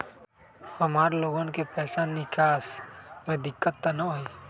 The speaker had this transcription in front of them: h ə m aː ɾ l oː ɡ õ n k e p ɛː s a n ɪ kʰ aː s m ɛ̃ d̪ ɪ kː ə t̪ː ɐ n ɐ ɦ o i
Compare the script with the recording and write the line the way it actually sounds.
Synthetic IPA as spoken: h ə m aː ɾ l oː ɡ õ n k e p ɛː s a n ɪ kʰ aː s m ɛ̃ d̪ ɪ kː ə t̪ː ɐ n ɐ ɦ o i